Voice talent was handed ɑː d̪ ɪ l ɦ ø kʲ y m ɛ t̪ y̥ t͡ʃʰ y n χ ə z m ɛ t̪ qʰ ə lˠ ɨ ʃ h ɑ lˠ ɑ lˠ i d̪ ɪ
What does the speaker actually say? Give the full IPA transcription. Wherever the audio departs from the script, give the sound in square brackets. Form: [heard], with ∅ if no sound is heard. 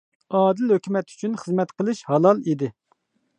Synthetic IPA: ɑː d̪ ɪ l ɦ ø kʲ y m ɛ t̪ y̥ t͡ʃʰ y n χ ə z m ɛ t̪ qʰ ə lˠ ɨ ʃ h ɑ lˠ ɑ lˠ i d̪ ɪ

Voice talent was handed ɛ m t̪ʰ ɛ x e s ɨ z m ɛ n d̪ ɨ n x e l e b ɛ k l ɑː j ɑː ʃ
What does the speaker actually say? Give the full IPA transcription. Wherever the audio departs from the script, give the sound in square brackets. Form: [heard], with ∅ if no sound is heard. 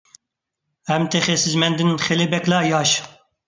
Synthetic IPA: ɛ m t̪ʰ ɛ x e s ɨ z m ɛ n d̪ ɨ n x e l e b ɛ k l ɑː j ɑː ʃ

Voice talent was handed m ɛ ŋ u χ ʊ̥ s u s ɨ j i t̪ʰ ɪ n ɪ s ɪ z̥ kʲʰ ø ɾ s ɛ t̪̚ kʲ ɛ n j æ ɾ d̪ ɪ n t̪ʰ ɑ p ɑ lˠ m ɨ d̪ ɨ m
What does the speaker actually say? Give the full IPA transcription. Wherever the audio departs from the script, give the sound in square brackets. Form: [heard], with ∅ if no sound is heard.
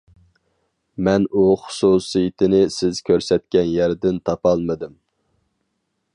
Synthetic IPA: m ɛ [n] u χ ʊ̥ s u s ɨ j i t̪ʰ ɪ n ɪ s ɪ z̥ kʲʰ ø ɾ s ɛ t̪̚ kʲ ɛ n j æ ɾ d̪ ɪ n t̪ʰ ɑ p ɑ lˠ m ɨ d̪ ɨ m

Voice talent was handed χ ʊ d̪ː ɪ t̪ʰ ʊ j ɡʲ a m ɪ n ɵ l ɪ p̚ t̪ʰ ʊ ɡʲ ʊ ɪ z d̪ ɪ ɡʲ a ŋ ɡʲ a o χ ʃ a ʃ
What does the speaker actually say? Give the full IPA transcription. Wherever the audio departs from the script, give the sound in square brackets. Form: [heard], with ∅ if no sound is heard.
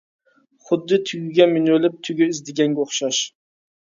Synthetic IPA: χ ʊ d̪ː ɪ t̪ʰ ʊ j ɡʲ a m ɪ n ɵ l ɪ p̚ t̪ʰ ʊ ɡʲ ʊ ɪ z d̪ ɪ ɡʲ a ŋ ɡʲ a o χ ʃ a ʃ

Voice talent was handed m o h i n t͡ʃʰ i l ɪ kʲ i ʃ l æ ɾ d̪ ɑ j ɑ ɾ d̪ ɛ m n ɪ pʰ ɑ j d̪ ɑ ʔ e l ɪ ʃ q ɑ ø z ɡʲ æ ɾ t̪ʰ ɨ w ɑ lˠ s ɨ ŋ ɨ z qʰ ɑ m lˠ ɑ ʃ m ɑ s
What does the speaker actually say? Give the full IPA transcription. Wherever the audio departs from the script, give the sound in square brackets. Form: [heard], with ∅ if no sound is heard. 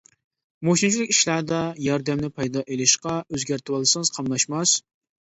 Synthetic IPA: m o [ʃ] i n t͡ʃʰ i l ɪ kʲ i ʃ l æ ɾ d̪ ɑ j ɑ ɾ d̪ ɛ m n ɪ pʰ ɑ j d̪ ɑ ʔ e l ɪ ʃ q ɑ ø z ɡʲ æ ɾ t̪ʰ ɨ w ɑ lˠ s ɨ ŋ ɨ z qʰ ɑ m lˠ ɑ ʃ m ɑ s

